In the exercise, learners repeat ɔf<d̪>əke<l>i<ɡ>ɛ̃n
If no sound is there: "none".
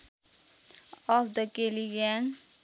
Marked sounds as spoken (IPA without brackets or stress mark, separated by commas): d̪, l, ɡ